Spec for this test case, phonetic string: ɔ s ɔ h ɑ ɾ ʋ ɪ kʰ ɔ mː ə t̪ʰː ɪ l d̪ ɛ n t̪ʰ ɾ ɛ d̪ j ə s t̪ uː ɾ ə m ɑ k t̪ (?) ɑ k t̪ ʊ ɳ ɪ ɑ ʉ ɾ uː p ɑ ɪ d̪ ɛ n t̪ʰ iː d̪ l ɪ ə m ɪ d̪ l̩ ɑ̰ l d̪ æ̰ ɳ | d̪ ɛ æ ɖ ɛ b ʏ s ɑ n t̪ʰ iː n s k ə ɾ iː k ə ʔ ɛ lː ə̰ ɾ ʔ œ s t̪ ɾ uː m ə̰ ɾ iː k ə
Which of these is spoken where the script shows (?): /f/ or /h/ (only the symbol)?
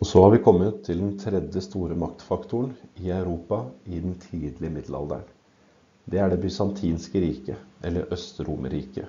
f